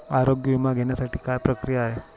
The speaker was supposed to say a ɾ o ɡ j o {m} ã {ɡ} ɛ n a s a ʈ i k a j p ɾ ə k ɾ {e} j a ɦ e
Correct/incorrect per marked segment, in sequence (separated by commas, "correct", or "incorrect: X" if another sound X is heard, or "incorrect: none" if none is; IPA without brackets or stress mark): correct, correct, incorrect: i